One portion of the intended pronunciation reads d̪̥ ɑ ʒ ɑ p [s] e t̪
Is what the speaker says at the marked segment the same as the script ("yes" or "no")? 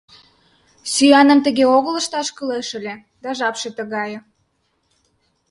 no